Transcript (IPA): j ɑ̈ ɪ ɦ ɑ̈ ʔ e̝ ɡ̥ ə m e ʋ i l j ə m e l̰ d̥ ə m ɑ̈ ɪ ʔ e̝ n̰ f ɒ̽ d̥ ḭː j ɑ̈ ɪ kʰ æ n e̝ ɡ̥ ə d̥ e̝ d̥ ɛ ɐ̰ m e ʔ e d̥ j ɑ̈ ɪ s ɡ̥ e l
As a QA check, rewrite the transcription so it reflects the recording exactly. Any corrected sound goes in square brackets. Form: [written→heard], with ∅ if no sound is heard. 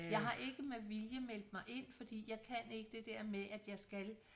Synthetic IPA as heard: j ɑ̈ ɪ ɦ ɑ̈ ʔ e̝ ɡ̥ ə m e ʋ i l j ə m e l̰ d̥ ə m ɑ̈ ɪ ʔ e̝ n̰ f ɒ̽ d̥ ḭː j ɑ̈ ɪ kʰ æ n e̝ ɡ̥ ə d̥ e̝ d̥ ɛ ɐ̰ m e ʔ [e→æ] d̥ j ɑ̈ ɪ s ɡ̥ [e→æ] l

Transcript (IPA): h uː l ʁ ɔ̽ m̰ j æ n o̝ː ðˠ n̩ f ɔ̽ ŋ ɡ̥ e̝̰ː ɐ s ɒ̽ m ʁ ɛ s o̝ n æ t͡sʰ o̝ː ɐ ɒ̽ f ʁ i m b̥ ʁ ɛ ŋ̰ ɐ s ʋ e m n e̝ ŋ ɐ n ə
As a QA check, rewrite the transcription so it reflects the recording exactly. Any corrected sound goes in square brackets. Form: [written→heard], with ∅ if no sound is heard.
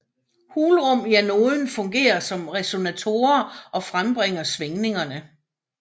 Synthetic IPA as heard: h uː l ʁ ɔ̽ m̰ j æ n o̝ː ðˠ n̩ f ɔ̽ ŋ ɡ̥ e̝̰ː ɐ s ɒ̽ m ʁ ɛ s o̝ n æ t͡sʰ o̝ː ɐ ɒ̽ f ʁ [i→a] m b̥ ʁ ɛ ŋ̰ ɐ s ʋ e [m→ŋ] n e̝ ŋ ɐ n ə

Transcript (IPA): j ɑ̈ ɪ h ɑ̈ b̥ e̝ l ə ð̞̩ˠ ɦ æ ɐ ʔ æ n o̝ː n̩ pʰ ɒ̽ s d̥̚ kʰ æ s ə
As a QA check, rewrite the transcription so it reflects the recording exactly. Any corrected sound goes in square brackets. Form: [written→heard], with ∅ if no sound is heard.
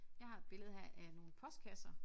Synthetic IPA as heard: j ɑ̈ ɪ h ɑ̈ b̥ e̝ l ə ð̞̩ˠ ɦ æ ɐ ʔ æ n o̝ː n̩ pʰ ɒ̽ s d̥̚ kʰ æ s [ə→ɐ]

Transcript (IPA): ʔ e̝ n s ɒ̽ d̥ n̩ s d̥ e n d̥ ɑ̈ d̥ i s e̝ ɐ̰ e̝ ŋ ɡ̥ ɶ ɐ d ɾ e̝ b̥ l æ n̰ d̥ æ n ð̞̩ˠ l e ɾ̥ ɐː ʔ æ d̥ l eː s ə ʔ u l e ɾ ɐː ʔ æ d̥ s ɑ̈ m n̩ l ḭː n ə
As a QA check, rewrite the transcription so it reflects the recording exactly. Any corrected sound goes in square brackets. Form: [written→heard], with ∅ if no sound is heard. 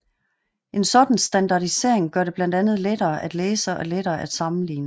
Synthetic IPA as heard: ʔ e̝ n s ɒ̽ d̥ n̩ s d̥ [e→æ] n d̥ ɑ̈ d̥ i s e̝ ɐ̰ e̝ ŋ ɡ̥ ɶ ɐ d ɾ e̝ b̥ l æ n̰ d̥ æ n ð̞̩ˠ l e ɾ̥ ɐː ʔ æ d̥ l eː s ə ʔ [u→ɒ] l e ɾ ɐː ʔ æ d̥ s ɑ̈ m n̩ l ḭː n ə

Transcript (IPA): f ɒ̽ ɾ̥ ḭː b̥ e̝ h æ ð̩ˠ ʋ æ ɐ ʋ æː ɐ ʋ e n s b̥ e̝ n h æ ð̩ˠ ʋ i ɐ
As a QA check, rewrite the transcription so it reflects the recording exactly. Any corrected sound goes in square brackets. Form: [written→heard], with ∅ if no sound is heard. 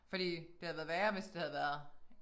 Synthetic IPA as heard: f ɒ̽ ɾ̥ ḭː [b̥→d̥] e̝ h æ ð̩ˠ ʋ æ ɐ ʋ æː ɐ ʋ e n s [b̥→d̥] e̝ [n→∅] h æ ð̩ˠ ʋ [i→æ] ɐ

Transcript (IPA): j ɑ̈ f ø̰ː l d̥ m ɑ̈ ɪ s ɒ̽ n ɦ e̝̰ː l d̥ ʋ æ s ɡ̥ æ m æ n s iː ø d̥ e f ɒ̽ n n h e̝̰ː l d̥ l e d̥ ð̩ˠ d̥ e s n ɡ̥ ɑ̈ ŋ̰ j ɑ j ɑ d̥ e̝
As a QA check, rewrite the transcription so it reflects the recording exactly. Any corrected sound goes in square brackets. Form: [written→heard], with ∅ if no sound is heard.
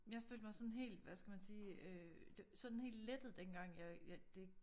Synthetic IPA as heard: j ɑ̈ f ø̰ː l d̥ m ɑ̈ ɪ s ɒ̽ n ɦ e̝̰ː l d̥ ʋ æ s ɡ̥ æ m æ n s iː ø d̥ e [f→s] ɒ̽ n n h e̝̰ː l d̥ l e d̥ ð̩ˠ d̥ e [s→∅] n ɡ̥ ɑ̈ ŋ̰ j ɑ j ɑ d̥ e̝

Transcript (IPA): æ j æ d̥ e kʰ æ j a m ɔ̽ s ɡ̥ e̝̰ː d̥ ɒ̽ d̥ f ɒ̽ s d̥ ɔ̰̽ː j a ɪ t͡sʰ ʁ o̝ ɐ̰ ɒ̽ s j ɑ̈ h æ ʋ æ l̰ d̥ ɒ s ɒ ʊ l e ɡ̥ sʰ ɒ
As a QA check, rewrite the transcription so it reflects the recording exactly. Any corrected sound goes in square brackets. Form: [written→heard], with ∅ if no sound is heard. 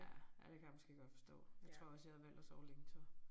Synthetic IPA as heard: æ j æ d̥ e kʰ æ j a m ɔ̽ s ɡ̥ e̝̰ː [d̥→ɡ̥] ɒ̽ d̥ f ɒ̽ s d̥ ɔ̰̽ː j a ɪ t͡sʰ ʁ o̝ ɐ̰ ɒ̽ s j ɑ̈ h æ ʋ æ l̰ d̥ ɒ s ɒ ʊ l e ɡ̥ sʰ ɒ

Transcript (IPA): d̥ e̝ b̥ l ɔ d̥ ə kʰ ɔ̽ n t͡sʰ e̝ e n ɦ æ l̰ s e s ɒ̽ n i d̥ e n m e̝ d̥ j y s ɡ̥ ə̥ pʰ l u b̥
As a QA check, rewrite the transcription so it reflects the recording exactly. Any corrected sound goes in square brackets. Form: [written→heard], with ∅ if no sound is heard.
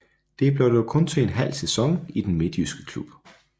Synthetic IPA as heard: d̥ e̝ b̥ l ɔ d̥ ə kʰ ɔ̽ n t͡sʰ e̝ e n ɦ æ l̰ s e s ɒ̽ [n→ŋ] i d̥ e n m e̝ d̥ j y s ɡ̥ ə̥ [pʰ→kʰ] l u b̥

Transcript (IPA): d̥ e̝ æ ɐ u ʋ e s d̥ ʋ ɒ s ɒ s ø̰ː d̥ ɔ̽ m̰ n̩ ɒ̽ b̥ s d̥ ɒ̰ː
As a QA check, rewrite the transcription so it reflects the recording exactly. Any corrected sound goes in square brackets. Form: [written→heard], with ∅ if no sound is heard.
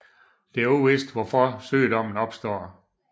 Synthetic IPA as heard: d̥ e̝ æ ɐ u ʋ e s d̥ ʋ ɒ [s→f] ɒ s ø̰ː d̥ [ɔ̽→ɒ̽] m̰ n̩ ɒ̽ b̥ s d̥ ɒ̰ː

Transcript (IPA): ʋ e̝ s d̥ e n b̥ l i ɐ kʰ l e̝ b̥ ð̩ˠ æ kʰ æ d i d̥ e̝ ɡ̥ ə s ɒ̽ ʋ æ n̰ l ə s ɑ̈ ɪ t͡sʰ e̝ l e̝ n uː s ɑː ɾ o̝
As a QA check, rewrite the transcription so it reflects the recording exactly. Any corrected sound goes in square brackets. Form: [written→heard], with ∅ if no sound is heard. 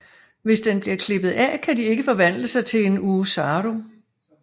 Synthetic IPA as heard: ʋ e̝ s d̥ e n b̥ l i ɐ kʰ l e̝ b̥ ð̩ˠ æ kʰ æ d i [d̥→∅] e̝ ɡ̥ ə [s→f] ɒ̽ ʋ æ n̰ l ə s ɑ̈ ɪ t͡sʰ e̝ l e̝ n uː s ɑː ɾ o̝

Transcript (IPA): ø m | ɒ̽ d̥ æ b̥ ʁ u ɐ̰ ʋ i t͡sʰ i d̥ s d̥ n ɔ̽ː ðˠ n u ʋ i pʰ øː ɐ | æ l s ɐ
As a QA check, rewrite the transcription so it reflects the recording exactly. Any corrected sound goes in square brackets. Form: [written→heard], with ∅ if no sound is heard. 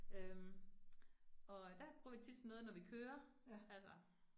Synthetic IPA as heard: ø m | ɒ̽ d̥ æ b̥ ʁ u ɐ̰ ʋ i t͡sʰ i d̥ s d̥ n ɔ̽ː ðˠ n [u→ɒ] ʋ i [pʰ→kʰ] øː ɐ | æ l s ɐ

